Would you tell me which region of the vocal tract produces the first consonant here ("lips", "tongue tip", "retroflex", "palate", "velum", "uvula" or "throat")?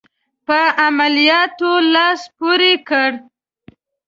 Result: lips